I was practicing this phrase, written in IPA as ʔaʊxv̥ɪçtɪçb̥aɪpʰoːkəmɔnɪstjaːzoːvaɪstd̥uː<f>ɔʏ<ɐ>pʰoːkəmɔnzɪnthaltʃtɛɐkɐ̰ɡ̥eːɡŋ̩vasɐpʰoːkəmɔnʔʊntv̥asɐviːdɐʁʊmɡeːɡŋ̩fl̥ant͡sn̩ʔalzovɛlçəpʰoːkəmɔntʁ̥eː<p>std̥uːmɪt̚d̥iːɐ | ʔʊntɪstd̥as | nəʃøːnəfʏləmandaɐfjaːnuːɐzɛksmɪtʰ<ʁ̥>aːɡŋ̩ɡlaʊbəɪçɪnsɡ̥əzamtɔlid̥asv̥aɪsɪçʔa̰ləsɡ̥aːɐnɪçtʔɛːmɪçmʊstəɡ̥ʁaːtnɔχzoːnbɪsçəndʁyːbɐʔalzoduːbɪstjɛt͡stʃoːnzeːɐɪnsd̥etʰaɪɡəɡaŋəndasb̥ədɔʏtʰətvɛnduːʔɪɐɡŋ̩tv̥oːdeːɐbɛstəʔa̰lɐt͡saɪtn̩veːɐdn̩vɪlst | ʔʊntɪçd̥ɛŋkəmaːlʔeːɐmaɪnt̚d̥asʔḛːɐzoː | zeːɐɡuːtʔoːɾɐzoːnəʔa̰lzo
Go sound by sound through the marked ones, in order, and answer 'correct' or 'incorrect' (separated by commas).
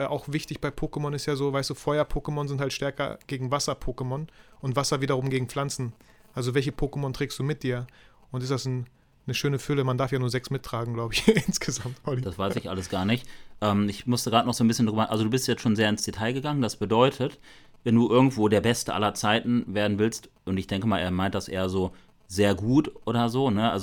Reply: correct, correct, incorrect, correct